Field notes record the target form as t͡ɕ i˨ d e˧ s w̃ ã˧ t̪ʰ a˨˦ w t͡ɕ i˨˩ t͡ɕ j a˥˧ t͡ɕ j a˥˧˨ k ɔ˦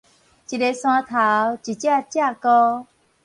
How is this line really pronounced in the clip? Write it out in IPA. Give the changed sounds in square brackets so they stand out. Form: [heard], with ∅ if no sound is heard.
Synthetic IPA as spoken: t͡ɕ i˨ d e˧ s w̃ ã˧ t̪ʰ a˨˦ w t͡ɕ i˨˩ t͡ɕ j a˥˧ t͡ɕ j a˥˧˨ k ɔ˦